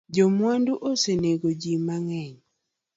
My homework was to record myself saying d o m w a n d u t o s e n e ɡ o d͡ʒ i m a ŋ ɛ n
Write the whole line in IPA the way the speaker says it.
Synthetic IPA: d͡ʒ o m w a n d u ʔ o s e n e ɡ o d͡ʒ i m a ŋ ɛ ɲ